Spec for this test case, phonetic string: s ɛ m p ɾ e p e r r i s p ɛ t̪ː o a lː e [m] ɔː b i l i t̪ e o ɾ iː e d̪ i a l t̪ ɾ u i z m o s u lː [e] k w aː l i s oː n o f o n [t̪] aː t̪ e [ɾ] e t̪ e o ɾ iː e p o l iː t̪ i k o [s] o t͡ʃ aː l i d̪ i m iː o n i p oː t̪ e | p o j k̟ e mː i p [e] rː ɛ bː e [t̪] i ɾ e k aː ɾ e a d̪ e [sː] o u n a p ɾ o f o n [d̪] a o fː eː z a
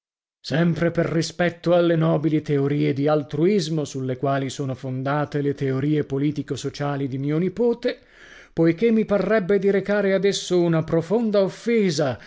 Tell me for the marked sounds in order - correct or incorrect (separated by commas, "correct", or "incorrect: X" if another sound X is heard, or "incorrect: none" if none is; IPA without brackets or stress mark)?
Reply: incorrect: n, correct, incorrect: d̪, incorrect: l, correct, incorrect: a, incorrect: d̪, correct, correct